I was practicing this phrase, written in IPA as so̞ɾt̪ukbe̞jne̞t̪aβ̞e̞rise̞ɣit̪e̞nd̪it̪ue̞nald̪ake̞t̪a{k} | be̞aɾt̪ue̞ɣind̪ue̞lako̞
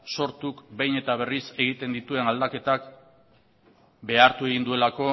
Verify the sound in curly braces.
correct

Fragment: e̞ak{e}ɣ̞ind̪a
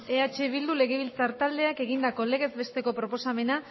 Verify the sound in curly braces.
correct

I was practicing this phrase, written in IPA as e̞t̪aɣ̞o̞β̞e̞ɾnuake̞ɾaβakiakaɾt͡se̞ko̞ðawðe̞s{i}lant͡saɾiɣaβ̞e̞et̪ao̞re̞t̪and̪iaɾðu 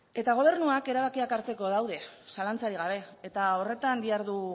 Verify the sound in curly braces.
incorrect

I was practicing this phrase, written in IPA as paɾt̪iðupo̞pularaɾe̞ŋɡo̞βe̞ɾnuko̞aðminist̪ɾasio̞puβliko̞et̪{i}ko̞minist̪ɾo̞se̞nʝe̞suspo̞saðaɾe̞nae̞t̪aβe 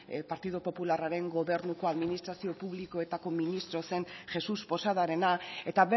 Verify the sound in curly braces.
incorrect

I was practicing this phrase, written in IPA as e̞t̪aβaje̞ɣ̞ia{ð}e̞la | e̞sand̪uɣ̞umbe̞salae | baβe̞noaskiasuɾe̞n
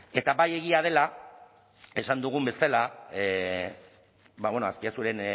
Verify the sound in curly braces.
correct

